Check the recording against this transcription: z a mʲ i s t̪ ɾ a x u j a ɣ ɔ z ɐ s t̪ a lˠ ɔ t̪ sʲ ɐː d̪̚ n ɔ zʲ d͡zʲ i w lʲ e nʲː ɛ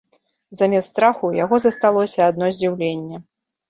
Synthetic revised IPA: z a mʲ ɛ s t̪ ɾ a x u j a ɣ ɔ z ɐ s t̪ a lˠ ɔ sʲ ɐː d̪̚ n ɔ zʲ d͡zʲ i w lʲ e nʲː ɛ